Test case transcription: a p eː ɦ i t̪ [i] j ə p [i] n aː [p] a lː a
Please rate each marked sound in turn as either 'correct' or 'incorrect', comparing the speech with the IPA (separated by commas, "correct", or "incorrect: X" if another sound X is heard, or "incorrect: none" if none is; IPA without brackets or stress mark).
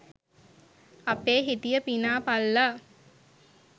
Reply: correct, correct, correct